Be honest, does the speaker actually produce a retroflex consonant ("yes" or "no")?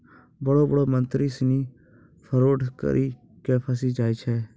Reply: yes